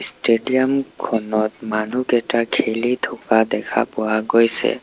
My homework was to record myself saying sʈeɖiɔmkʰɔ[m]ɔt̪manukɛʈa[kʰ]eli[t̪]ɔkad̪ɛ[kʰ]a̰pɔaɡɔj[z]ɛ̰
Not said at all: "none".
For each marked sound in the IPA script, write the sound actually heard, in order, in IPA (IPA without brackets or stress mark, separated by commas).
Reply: n, kʰ, t̪ʰ, kʰ, s